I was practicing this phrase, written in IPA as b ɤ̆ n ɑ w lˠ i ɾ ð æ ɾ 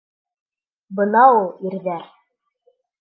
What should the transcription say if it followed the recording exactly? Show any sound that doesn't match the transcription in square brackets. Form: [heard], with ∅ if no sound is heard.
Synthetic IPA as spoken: b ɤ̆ n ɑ [u] lˠ i ɾ ð æ ɾ